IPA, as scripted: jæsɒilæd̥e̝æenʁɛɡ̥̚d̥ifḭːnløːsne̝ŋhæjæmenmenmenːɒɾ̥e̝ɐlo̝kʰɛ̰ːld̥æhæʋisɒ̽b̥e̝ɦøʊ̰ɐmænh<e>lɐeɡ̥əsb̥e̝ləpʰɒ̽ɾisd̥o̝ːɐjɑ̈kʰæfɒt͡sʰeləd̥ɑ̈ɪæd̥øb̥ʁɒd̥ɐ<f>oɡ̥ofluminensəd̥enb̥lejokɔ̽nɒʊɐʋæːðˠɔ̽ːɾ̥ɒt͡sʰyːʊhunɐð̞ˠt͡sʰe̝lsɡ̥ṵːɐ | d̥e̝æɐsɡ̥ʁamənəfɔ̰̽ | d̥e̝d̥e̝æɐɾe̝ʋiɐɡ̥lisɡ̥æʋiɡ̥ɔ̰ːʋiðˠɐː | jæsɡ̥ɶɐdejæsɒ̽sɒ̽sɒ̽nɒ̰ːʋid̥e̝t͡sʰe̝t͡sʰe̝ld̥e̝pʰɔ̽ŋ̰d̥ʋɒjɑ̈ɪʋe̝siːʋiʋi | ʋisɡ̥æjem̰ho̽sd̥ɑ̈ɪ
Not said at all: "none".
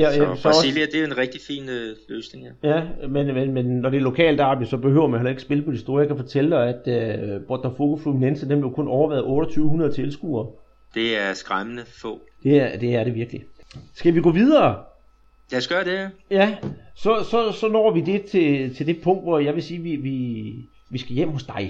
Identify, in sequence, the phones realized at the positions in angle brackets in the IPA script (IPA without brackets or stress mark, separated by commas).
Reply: e, f